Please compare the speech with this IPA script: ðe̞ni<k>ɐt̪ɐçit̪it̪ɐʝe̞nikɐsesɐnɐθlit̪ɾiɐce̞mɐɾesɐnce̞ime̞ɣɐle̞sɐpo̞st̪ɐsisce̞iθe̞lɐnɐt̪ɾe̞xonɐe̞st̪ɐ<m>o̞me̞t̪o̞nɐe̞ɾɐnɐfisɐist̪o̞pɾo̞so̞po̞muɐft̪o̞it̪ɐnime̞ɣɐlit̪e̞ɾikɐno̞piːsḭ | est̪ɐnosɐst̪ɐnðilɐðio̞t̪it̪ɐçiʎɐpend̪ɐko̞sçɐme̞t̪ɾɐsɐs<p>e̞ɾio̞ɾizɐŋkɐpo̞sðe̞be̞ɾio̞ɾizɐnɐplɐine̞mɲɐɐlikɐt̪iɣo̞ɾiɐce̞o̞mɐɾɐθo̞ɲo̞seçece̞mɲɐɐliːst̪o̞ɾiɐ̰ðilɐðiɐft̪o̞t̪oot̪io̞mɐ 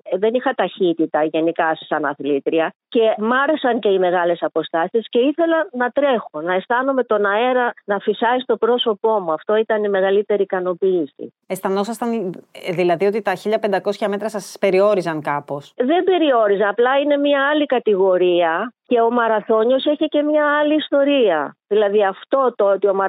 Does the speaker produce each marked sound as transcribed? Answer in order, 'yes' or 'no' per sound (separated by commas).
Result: no, no, yes